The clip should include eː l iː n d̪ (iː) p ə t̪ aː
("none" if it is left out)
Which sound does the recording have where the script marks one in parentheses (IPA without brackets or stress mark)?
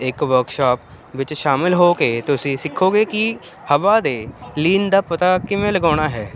aː